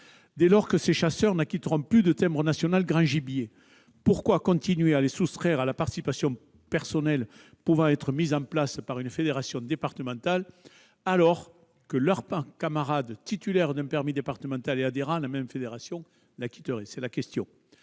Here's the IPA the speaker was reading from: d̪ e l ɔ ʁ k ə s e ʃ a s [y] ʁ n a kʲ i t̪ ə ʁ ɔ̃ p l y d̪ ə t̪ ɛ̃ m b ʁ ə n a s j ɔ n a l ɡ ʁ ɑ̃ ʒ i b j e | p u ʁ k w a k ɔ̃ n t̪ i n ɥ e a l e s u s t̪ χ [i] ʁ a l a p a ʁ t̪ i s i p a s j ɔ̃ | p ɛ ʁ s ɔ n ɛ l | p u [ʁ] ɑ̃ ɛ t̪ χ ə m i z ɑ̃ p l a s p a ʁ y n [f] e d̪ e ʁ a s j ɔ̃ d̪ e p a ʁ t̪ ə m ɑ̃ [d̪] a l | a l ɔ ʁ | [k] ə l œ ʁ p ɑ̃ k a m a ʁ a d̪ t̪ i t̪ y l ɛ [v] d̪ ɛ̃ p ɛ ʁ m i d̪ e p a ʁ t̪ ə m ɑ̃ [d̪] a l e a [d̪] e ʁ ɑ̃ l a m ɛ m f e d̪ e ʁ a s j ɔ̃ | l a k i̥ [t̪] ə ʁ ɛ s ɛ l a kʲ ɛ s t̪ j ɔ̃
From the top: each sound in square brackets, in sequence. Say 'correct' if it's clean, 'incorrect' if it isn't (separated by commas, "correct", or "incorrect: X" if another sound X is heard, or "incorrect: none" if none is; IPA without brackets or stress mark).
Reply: incorrect: œ, incorrect: ɛ, incorrect: v, correct, incorrect: t̪, correct, incorrect: ʁ, incorrect: t̪, correct, correct